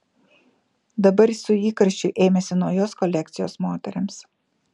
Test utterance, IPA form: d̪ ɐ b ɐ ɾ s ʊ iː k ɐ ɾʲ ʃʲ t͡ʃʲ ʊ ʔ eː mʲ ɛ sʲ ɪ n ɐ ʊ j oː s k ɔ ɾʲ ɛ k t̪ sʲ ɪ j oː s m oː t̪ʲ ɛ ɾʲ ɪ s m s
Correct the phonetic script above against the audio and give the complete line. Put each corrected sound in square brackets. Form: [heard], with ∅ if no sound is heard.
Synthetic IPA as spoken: d̪ ɐ b ɐ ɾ s ʊ iː k ɐ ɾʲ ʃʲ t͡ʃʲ ʊ ʔ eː mʲ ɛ sʲ ɪ n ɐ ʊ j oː s k ɔ [lʲ] ɛ k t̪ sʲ ɪ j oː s m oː t̪ʲ ɛ ɾʲ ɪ [∅] m s

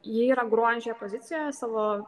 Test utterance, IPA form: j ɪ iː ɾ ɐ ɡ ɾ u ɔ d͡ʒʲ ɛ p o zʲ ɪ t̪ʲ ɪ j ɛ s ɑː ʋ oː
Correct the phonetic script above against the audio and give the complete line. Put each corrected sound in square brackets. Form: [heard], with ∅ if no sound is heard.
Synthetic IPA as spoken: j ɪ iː ɾ ɐ ɡ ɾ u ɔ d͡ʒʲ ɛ p o zʲ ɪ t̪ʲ ɪ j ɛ s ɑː ʋ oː

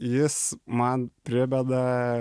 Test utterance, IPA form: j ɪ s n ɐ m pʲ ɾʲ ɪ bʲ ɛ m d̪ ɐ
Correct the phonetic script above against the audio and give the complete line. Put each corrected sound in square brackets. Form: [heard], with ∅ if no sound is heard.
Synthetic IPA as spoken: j ɪ s [m] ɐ [n] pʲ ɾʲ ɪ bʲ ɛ [∅] d̪ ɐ

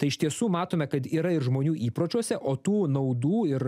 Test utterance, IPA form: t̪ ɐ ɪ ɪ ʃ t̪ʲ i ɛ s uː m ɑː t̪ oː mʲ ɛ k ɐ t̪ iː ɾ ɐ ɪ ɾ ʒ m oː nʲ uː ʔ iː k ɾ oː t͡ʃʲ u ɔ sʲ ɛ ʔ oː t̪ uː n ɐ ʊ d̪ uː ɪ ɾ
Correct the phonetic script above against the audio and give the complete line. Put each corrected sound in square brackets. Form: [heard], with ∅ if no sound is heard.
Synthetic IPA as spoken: t̪ ɐ ɪ ɪ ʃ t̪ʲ i ɛ s uː m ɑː t̪ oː mʲ ɛ k ɐ t̪ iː ɾ ɐ ɪ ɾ ʒ m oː nʲ uː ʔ iː [p] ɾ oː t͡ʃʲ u ɔ sʲ ɛ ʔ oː t̪ uː n ɐ ʊ d̪ uː ɪ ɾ

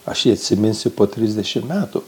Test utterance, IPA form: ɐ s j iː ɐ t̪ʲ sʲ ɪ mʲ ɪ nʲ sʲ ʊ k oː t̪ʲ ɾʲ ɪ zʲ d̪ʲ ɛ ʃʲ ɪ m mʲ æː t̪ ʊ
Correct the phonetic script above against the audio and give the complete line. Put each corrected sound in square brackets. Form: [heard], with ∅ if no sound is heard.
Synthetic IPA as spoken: ɐ [ʃ] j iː ɐ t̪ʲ sʲ ɪ mʲ ɪ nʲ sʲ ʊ [p] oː t̪ʲ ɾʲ ɪ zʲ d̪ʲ ɛ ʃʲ ɪ m mʲ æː t̪ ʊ

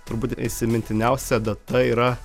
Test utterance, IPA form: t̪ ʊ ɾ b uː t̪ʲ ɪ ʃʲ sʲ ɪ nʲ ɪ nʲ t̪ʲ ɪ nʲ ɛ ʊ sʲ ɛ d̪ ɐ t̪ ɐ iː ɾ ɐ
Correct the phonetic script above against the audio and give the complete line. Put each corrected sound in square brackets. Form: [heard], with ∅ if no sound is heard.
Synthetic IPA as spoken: t̪ ʊ ɾ b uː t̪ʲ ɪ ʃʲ sʲ ɪ [mʲ] ɪ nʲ t̪ʲ ɪ nʲ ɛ ʊ sʲ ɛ d̪ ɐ t̪ ɐ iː ɾ ɐ

